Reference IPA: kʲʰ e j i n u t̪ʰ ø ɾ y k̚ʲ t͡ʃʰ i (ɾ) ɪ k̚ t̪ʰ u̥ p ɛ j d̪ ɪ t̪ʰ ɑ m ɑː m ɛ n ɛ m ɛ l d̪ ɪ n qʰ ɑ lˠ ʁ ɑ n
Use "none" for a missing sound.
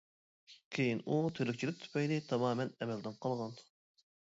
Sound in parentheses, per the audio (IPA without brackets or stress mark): l